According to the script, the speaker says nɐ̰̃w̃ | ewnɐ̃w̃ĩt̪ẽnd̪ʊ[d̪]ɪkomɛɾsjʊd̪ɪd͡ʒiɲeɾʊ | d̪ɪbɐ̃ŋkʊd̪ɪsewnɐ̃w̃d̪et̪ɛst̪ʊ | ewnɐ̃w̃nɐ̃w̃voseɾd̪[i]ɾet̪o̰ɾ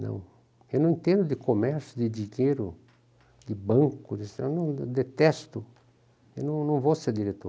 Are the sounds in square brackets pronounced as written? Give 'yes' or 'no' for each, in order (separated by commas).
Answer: yes, yes